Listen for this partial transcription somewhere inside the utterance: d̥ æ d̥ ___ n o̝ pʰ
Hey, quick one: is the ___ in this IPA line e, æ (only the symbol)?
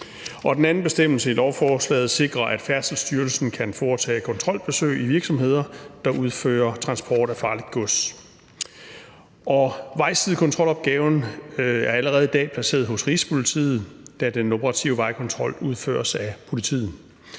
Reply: e